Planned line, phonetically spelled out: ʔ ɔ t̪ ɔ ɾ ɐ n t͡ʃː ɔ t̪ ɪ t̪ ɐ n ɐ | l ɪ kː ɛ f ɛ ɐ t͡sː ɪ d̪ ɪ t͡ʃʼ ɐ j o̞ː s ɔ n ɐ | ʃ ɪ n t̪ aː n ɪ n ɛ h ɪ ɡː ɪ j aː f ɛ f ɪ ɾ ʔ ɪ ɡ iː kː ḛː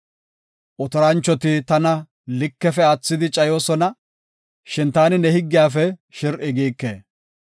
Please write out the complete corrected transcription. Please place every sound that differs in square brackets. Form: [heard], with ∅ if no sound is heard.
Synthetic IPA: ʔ ɔ t̪ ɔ ɾ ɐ n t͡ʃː ɔ t̪ ɪ t̪ ɐ n ɐ | l ɪ kː ɛ f ɛ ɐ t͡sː ɪ d̪ ɪ t͡ʃʼ ɐ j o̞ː s ɔ n ɐ | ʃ ɪ n t̪ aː n ɪ n ɛ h ɪ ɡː ɪ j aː f ɛ [ʃ] ɪ ɾ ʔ ɪ ɡ iː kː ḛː